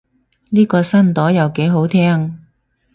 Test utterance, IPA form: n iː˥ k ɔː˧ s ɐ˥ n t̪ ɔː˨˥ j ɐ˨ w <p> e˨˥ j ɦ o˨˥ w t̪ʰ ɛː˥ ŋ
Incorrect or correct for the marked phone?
incorrect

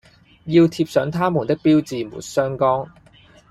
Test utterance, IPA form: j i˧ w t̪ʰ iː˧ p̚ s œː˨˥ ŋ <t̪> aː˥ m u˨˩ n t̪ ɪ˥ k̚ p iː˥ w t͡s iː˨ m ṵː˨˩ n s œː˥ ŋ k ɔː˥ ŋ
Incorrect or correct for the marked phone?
incorrect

